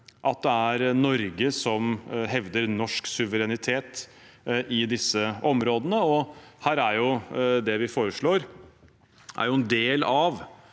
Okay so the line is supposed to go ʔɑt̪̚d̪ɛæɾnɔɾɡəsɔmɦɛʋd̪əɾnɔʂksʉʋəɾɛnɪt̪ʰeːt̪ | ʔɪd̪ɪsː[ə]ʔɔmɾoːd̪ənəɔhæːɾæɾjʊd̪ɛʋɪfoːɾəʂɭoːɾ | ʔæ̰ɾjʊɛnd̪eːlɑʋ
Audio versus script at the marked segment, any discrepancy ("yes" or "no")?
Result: no